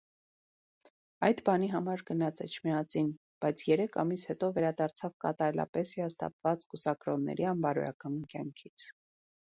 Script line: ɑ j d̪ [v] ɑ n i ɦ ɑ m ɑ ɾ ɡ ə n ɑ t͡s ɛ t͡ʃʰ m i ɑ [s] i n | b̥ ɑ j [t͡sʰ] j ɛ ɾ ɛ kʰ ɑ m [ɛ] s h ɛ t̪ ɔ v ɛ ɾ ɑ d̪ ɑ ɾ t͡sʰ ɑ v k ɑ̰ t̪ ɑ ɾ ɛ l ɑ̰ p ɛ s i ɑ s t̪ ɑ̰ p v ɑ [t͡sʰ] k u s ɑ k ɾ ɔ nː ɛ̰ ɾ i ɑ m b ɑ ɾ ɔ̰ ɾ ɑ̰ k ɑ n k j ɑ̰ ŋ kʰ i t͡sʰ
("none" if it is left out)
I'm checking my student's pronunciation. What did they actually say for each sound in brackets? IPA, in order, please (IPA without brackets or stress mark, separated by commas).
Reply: b, t͡s, t͡sʰ, i, t͡s